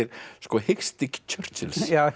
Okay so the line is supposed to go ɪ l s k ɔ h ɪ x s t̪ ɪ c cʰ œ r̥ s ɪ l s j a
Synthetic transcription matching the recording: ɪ ɾ s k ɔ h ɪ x s t̪ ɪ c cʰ œ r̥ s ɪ l s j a